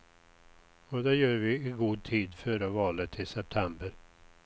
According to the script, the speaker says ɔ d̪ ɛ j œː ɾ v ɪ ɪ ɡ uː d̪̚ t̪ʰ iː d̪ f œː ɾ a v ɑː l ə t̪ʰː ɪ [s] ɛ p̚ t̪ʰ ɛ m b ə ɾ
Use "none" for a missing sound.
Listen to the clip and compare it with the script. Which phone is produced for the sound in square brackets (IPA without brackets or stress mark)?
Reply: s